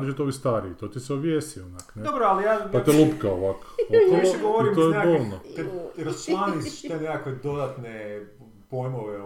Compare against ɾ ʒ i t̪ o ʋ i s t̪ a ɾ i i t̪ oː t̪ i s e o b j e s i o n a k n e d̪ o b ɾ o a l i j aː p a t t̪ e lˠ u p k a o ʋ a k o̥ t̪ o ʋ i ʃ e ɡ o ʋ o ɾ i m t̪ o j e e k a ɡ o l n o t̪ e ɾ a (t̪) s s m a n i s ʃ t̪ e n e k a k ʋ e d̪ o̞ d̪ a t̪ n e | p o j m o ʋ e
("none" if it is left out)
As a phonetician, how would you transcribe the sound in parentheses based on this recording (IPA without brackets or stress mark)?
none